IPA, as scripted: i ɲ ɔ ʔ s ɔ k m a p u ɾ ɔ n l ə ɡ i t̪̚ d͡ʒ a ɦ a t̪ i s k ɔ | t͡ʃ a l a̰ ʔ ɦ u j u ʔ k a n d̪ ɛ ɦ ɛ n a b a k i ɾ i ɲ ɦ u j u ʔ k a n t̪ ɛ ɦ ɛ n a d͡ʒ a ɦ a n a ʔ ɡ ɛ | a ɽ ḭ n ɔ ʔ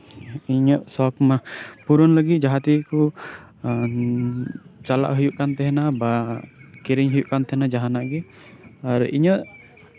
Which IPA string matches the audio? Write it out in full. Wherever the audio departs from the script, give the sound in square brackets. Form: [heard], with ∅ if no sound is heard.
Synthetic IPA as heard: i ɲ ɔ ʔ s ɔ k m a p u ɾ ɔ n l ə ɡ i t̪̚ d͡ʒ a ɦ a t̪ i [∅] k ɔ | t͡ʃ a l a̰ ʔ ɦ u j u ʔ k a n [t̪] ɛ ɦ ɛ n a b a k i ɾ i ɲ ɦ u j u ʔ k a n t̪ ɛ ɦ ɛ n a d͡ʒ a ɦ a n a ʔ ɡ ɛ | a [ɾ] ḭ [ɲ] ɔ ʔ